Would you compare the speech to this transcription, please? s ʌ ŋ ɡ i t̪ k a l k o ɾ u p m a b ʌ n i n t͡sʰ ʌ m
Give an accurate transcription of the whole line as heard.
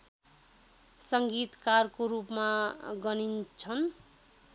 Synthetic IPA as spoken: s ʌ ŋ ɡ i t̪ k a r k o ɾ u p m a ɡ ʌ n i n t͡sʰ ʌ n